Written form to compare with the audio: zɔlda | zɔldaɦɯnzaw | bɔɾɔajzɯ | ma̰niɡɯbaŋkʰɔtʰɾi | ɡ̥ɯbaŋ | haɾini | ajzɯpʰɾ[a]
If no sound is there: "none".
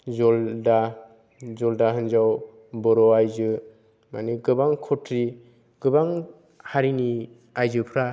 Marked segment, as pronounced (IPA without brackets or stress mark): a